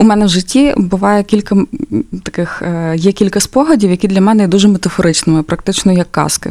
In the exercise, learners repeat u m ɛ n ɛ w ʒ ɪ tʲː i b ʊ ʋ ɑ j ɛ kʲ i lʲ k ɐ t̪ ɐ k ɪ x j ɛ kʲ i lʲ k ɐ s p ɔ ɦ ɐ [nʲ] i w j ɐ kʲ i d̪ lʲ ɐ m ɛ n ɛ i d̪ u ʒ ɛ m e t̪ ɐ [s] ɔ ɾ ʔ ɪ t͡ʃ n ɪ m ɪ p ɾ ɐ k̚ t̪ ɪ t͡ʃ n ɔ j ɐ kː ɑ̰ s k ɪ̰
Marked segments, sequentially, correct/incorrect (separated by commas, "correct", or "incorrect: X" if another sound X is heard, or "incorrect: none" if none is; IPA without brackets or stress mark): incorrect: dʲ, incorrect: f